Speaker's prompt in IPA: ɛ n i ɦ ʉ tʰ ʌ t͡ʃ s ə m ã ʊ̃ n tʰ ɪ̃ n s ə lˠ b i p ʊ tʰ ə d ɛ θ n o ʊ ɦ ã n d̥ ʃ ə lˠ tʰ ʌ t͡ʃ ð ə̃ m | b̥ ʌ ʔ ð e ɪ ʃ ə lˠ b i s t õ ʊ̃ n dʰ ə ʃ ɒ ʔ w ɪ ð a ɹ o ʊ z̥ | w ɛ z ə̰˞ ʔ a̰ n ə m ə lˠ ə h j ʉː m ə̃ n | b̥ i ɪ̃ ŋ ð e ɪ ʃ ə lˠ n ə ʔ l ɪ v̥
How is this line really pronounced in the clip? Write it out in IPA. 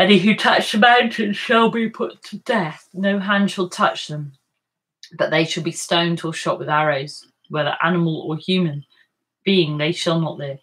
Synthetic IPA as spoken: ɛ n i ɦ ʉ tʰ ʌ t͡ʃ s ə m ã ʊ̃ n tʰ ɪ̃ n ʃ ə lˠ b i pʰ ʊ tʰ ə d ɛ θ n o ʊ ɦ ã n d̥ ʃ ə lˠ tʰ ʌ t͡ʃ ð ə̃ m | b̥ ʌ ʔ ð e ɪ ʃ ə lˠ b i s t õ ʊ̃ n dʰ ə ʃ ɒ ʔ w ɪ ð a ɹ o ʊ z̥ | w ɛ ð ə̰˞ ʔ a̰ n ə m ə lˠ ə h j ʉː m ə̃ n | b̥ i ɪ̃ ŋ ð e ɪ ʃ ə lˠ n ə ʔ l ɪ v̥